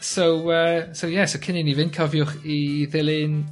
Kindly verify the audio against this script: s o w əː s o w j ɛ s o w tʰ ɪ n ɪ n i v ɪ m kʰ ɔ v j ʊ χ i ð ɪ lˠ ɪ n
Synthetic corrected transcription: s o w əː s o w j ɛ s o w kʰ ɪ n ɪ n i v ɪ n kʰ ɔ v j ʊ χ i ð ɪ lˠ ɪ n

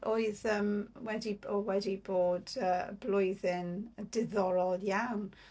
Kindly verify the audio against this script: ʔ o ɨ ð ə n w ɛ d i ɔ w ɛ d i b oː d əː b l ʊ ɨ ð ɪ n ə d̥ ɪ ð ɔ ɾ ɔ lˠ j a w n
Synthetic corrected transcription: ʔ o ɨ ð ə m w ɛ d i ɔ w ɛ d i b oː d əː b l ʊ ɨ ð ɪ n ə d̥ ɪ ð ɔ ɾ ɔ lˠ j a w n

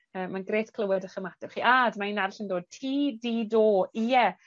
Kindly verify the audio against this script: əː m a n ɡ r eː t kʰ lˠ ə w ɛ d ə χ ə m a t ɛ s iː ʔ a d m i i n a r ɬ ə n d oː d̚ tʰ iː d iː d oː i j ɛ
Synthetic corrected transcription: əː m a n ɡ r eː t kʰ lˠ ə w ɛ d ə χ ə m a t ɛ χ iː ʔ a d m a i n a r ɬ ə n d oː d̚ tʰ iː d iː d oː i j ɛ

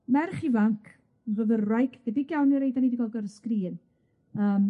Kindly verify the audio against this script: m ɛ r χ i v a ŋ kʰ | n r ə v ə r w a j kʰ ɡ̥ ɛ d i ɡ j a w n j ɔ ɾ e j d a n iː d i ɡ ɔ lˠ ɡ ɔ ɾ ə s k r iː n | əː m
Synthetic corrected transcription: m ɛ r χ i v a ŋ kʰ | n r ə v ə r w a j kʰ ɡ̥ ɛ d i ɡ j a w n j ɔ ɾ e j d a n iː d i ɡ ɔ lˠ ɡ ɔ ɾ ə s k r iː n | əː m

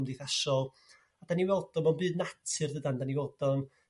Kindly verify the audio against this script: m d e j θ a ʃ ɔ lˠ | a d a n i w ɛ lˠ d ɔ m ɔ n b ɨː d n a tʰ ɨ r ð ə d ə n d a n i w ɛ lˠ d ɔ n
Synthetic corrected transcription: m d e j θ a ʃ ɔ lˠ | a d a n i w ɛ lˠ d ɔ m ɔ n b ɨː d n a tʰ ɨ r ð ə d a n d a n i w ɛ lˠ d ɔ n

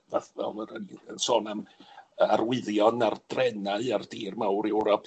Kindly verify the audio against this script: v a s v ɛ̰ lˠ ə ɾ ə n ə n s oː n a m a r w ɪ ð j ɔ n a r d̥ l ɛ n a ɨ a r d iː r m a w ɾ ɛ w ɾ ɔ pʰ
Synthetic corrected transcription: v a θ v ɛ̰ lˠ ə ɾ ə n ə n s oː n a m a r w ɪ ð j ɔ n a r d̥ r ɛ n a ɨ a r d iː r m a w ɾ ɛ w ɾ ɔ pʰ

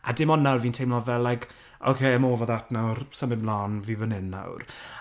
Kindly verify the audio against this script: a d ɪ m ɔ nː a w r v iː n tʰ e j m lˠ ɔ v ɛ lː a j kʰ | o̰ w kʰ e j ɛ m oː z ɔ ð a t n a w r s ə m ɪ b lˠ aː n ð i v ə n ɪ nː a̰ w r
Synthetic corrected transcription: a d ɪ m ɔ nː a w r v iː n tʰ e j m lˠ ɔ v ɛ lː a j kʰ | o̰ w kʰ e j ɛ m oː v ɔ ð a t n a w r s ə m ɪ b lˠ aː n v i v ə n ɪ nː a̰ w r

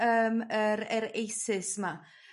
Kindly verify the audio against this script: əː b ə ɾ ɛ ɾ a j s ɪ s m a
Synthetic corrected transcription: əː m ə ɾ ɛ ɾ e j s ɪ s m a

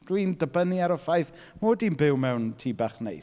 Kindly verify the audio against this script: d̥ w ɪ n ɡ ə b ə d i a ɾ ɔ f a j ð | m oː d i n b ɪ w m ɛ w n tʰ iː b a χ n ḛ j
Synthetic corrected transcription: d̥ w i n d ə b ə n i a ɾ ɔ f a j θ | m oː d i n b ɪ w m ɛ w n tʰ iː b a χ n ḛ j

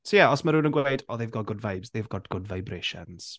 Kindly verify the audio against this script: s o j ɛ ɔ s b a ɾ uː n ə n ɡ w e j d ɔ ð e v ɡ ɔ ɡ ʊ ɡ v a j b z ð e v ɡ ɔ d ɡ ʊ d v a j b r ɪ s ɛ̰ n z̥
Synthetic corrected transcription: s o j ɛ ɔ s m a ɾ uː n ə n ɡ w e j d ɔ ð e v ɡ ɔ ɡ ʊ d v a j b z ð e v ɡ ɔ d ɡ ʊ d v a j b r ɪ ʃ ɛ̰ n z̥

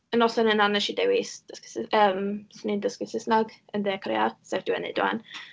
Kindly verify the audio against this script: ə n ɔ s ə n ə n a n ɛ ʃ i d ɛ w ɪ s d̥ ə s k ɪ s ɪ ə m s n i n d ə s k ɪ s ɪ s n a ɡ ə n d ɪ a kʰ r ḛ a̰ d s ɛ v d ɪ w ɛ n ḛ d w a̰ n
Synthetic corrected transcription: ə n ɔ s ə n ə n a n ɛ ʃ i d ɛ w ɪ s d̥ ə s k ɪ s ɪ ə m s n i n d ə s k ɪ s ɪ s n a ɡ ə n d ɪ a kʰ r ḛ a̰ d s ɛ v d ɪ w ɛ n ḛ d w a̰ n

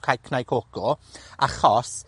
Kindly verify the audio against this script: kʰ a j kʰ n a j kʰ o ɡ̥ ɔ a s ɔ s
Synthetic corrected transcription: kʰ a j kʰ n a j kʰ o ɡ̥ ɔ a χ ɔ s

